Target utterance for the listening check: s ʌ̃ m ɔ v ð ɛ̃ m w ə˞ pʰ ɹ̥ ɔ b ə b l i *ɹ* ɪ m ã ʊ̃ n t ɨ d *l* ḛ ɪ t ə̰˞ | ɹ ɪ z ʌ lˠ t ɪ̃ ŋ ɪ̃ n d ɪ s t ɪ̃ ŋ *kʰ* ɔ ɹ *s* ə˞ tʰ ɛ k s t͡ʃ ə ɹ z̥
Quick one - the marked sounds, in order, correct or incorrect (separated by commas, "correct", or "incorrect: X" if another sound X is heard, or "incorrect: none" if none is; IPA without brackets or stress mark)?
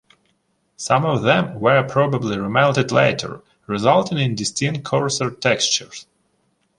correct, correct, correct, correct